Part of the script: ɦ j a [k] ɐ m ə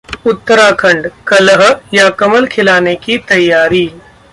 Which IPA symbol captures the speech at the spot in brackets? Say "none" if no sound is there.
k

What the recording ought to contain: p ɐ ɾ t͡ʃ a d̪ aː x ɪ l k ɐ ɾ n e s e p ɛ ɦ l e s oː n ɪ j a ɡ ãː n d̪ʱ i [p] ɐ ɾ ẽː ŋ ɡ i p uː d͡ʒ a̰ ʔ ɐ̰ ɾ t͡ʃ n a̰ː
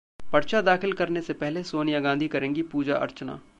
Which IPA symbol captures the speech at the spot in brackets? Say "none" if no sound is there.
k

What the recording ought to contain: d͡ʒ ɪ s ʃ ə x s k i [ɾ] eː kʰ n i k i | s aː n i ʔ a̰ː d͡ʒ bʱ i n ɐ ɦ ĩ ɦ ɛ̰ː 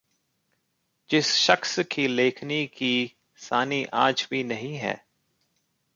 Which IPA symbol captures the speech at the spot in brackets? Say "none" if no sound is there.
l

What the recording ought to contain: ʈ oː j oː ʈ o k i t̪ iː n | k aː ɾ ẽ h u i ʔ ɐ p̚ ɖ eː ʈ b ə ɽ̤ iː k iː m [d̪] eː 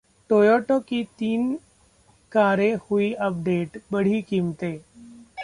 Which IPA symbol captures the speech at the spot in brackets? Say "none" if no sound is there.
t̪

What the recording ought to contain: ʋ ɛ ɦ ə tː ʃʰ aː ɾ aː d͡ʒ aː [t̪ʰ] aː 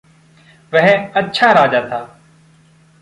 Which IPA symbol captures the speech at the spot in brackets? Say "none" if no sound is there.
t̪ʰ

